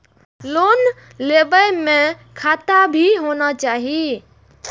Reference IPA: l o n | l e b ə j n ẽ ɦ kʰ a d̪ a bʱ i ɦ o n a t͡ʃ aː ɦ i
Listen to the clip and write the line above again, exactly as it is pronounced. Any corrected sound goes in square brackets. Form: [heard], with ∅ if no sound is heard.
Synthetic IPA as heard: l o n | l e b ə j [m] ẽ [∅] kʰ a [t̪] a bʱ i ɦ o n a t͡ʃ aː ɦ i